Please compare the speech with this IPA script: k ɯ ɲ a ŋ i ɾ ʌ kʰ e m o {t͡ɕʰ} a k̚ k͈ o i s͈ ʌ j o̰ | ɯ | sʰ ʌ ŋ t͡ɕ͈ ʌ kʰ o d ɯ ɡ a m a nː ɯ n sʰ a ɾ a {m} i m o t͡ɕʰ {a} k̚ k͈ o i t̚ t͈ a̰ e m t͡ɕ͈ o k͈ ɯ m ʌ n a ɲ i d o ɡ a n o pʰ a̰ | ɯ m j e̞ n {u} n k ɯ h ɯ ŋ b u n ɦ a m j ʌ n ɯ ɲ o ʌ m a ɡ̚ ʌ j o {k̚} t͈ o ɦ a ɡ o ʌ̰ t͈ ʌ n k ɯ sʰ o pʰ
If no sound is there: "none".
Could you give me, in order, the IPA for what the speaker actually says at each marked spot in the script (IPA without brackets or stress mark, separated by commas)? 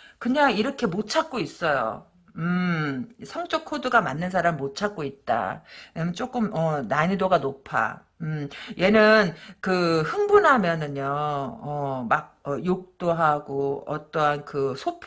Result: t͡ɕʰ, m, a, ɯ, k̚